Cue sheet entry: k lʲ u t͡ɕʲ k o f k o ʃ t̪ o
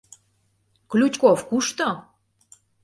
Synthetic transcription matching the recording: k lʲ u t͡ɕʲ k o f k u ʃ t̪ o